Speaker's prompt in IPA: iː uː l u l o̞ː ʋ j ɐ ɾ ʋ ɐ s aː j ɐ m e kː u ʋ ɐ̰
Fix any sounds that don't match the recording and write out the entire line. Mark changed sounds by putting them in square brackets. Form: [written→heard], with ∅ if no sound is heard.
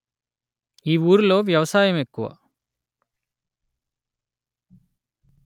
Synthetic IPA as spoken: iː uː [l→ɾ] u l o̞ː ʋ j ɐ [ɾ→∅] ʋ ɐ s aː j ɐ m e kː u ʋ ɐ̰